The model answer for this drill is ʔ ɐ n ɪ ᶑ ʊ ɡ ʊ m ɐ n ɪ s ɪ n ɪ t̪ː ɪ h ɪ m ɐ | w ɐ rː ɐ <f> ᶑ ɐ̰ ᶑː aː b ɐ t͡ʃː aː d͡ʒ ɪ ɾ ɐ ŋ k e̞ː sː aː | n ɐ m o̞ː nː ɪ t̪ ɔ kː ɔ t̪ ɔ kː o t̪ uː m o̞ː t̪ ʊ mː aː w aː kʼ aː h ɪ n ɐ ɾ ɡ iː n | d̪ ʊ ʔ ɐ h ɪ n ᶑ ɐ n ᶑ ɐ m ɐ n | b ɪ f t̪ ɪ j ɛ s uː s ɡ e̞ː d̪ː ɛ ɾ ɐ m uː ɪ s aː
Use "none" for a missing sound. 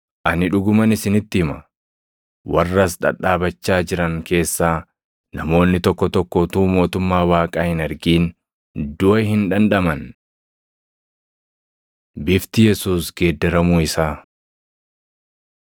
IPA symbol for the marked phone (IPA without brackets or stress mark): s